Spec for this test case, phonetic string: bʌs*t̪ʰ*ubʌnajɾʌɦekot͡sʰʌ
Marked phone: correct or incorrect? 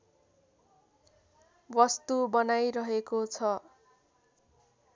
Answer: incorrect: t̪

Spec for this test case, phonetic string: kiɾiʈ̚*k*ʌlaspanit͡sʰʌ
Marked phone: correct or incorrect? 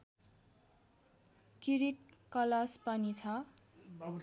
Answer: correct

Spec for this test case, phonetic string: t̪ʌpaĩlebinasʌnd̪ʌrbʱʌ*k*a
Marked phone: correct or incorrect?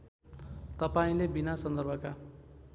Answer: correct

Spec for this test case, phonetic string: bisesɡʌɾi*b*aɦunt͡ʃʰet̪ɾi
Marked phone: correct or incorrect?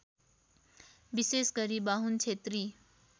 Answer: correct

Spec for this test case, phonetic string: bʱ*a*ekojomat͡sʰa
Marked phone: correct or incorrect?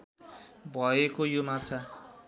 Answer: incorrect: ʌ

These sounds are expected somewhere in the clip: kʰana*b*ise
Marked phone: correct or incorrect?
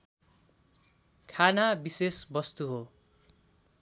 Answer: correct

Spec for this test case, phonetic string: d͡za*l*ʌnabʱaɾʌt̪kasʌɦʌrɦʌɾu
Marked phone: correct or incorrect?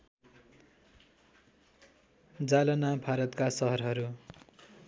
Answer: correct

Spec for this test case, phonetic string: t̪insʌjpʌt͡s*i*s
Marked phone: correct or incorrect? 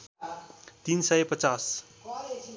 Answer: incorrect: a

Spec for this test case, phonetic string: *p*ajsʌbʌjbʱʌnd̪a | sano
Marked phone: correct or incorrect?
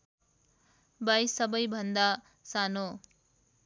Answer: incorrect: b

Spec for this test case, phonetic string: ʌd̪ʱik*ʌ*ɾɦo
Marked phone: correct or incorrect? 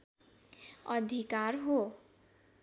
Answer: incorrect: a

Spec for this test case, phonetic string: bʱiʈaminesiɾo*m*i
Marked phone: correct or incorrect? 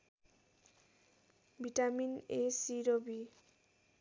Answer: incorrect: b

